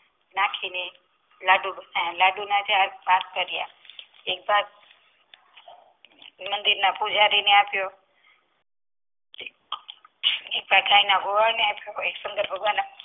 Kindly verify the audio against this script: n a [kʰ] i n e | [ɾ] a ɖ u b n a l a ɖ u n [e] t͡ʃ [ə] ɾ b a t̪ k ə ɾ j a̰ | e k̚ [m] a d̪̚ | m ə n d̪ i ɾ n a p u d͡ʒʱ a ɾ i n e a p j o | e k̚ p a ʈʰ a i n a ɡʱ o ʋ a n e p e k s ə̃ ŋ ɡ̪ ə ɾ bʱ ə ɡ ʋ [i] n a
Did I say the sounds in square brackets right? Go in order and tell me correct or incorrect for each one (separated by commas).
correct, incorrect, incorrect, incorrect, incorrect, incorrect